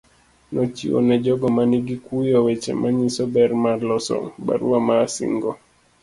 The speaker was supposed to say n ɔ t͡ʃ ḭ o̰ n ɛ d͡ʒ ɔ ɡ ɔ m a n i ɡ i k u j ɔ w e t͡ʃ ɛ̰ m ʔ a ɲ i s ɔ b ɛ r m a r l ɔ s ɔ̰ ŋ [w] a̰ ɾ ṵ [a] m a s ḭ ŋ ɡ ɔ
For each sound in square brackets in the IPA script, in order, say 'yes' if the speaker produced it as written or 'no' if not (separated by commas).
no, yes